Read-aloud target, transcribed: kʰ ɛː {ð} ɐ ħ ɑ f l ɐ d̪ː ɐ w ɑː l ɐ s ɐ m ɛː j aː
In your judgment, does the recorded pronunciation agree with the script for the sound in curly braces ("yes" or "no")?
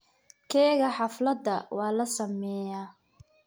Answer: no